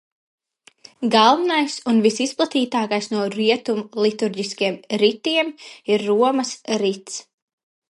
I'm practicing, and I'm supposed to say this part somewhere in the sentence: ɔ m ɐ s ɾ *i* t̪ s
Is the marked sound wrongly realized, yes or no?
no